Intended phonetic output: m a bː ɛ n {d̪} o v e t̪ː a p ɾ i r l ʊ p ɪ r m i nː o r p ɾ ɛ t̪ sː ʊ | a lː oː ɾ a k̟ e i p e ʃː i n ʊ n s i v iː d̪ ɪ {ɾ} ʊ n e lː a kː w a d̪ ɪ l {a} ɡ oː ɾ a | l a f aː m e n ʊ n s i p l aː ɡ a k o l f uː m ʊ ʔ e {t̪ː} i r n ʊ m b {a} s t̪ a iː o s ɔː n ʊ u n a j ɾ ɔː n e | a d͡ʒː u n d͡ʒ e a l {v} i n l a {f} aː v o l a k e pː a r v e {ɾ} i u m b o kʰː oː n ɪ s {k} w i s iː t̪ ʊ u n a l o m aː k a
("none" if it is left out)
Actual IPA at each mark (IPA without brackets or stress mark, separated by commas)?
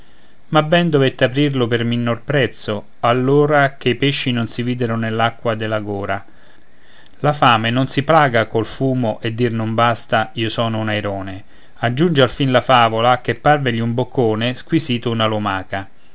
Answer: d̪, ɾ, a, d̪ː, a, f, f, ʎ, k